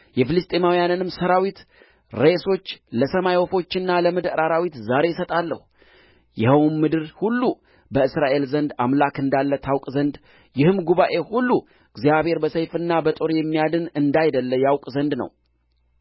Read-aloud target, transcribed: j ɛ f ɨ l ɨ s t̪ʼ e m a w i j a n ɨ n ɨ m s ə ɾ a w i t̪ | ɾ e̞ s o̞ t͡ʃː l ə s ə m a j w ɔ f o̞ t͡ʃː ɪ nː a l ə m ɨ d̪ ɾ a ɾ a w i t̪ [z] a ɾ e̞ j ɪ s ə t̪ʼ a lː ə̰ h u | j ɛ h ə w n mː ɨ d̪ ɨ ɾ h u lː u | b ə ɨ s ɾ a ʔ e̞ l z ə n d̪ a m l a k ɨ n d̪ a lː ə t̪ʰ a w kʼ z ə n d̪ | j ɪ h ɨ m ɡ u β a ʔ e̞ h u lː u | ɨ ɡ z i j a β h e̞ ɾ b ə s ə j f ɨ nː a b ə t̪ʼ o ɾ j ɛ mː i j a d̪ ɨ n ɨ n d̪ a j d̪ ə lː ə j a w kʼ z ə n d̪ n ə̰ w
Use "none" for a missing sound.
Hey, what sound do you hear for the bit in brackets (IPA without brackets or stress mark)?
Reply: z